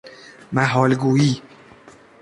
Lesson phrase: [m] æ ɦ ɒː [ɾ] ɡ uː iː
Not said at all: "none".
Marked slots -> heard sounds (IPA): m, l

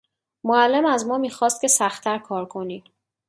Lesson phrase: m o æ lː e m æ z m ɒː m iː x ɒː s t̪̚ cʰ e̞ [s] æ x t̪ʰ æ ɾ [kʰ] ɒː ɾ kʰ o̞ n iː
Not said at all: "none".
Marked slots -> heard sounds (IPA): s, kʰ

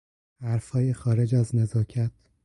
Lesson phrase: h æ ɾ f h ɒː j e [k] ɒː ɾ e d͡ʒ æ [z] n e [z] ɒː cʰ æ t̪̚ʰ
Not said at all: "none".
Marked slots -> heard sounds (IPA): x, z, z

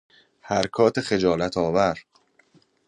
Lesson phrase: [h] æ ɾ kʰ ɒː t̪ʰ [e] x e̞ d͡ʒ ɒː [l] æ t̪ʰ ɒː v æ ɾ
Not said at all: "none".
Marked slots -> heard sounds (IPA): h, e, l

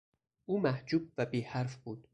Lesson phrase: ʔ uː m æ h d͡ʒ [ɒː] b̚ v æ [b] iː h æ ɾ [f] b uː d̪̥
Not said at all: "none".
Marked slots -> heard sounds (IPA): uː, b, f

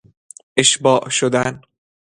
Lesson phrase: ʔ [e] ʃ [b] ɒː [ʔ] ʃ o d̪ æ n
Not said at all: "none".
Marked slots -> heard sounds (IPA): e, b, ʔ

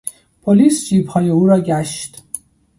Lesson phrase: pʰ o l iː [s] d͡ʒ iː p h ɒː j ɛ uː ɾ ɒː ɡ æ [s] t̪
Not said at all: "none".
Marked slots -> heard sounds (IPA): s, ʃ

